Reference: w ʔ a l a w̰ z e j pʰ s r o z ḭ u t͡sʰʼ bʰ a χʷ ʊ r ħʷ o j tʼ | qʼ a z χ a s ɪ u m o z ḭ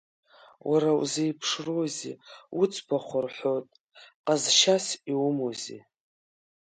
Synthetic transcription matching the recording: w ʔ a ɾ a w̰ z e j pʰ ʂ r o z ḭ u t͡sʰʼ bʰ a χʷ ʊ r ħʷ o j tʼ | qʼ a z ʃ a s i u m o z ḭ